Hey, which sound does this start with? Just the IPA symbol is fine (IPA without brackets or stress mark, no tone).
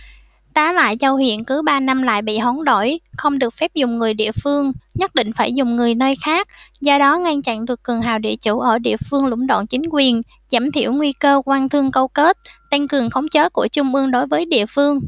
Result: t̪